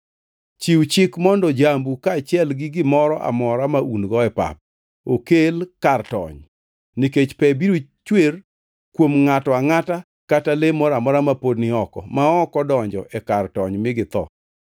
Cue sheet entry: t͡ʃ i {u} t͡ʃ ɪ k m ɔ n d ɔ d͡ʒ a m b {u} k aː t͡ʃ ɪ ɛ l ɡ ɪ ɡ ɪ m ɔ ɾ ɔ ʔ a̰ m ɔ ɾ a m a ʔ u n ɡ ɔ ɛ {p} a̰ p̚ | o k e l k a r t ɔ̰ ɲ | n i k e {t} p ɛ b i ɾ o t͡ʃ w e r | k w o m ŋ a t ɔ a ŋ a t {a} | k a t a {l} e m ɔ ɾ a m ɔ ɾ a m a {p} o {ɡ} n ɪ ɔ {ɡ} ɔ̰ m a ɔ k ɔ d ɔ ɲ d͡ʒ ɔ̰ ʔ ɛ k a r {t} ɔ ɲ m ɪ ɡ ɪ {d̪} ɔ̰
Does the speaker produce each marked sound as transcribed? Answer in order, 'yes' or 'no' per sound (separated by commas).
no, yes, yes, no, yes, yes, yes, no, no, yes, no